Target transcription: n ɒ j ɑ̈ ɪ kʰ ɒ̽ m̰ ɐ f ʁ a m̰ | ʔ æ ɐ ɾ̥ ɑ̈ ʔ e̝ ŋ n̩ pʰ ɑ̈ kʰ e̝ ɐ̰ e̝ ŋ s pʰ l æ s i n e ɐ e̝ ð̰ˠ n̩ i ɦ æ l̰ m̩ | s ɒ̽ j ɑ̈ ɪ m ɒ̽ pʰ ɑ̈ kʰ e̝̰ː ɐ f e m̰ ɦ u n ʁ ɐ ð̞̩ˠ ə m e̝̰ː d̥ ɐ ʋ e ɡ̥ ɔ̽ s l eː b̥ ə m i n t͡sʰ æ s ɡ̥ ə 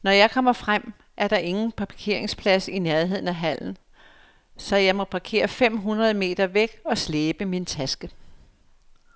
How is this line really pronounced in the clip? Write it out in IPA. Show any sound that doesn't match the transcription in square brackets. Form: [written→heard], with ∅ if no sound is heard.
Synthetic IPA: n ɒ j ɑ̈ ɪ kʰ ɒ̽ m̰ ɐ f ʁ a m̰ | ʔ æ ɐ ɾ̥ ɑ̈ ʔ e̝ ŋ n̩ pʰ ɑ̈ kʰ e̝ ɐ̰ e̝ ŋ s pʰ l æ s i n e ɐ e̝ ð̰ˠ n̩ [i→æ] ɦ æ l̰ [m̩→n̩] | s ɒ̽ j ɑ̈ ɪ m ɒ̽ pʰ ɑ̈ kʰ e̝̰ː ɐ f e m̰ ɦ u n ʁ ɐ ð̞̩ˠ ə m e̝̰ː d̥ ɐ ʋ e ɡ̥ [ɔ̽→ɒ̽] s l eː b̥ ə m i n t͡sʰ æ s ɡ̥ ə